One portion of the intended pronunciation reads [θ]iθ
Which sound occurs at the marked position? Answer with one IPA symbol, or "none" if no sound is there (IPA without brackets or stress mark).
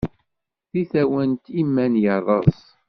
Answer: θ